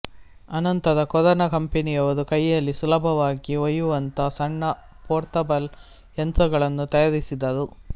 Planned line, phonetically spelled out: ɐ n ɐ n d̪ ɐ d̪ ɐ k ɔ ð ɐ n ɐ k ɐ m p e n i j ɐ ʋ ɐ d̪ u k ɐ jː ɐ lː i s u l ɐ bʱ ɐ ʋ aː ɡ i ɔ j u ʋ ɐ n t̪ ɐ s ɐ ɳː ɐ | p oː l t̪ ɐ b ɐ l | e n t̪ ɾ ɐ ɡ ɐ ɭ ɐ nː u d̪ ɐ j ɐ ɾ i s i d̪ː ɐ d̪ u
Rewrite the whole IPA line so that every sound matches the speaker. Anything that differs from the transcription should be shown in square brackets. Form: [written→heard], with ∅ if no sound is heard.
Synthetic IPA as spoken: ɐ n ɐ n [d̪→t̪] ɐ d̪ ɐ k ɔ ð ɐ n ɐ k ɐ m p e n i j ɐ ʋ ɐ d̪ u k ɐ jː ɐ lː i s u l ɐ bʱ ɐ ʋ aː ɡ i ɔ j u ʋ ɐ n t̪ ɐ s ɐ ɳː ɐ | p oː [l→ɾ] t̪ ɐ b ɐ l | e n t̪ ɾ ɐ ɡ ɐ ɭ ɐ nː u [d̪→t̪] ɐ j ɐ ɾ i s i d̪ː ɐ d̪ u